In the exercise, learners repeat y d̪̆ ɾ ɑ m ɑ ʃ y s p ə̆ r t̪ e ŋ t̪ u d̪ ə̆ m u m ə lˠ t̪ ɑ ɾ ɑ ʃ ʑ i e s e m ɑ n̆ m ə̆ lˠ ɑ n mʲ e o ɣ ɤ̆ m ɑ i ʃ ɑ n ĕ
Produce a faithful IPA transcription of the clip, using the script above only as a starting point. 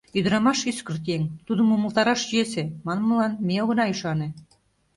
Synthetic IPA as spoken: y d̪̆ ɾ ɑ m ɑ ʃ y s k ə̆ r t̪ e ŋ t̪ u d̪ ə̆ m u m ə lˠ t̪ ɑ ɾ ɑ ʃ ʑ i e s e m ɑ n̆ m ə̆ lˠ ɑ n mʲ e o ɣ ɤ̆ n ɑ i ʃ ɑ n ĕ